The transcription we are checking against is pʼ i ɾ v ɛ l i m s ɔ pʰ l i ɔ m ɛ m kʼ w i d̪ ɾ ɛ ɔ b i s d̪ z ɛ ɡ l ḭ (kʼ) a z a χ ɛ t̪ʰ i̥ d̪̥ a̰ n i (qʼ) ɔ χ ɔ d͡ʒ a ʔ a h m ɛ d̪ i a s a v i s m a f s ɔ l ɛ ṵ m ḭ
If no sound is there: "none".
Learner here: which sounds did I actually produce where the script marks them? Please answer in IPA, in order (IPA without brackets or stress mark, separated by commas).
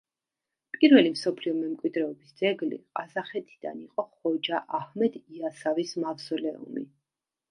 qʼ, qʼ